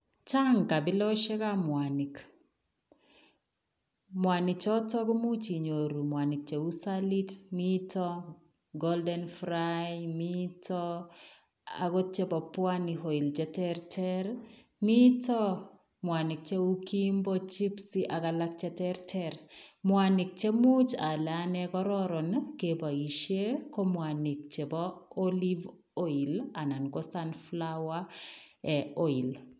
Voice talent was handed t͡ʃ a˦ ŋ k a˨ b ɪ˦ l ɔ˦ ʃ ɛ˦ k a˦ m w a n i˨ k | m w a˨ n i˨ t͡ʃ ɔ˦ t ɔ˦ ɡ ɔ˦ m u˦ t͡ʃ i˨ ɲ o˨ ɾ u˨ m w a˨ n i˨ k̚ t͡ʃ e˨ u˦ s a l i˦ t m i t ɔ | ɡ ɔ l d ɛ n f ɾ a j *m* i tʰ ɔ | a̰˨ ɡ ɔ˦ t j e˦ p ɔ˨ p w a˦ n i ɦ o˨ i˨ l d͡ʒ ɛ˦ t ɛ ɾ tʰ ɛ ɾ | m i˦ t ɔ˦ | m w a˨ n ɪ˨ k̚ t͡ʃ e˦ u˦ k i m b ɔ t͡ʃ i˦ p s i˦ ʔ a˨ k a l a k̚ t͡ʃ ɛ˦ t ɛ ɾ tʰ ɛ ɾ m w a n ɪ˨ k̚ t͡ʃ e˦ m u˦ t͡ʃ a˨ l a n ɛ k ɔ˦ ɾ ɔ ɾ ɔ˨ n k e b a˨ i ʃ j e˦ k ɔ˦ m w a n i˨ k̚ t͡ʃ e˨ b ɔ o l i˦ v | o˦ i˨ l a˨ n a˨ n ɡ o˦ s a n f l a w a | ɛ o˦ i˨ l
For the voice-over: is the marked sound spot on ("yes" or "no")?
yes